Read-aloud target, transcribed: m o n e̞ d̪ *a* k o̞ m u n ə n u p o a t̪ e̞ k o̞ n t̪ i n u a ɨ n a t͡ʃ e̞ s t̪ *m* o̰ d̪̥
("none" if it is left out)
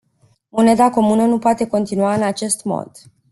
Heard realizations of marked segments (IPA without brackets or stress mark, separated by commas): a, m